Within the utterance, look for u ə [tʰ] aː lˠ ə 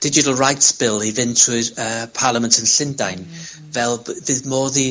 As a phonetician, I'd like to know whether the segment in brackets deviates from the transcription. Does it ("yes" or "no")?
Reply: yes